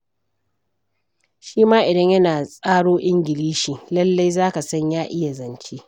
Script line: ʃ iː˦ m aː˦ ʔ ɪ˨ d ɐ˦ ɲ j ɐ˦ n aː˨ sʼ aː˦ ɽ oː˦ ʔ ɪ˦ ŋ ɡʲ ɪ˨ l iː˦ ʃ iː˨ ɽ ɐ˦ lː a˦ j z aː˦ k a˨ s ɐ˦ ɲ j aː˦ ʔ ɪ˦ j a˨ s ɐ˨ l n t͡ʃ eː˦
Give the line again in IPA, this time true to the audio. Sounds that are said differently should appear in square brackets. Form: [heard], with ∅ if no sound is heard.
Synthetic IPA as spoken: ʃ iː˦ m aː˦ ʔ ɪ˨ d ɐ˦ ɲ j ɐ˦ n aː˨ sʼ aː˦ ɽ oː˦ ʔ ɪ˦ ŋ ɡʲ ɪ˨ l iː˦ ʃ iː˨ [l] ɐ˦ lː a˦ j z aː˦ k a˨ s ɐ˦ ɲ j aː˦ ʔ ɪ˦ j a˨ [z] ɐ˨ [∅] n t͡ʃ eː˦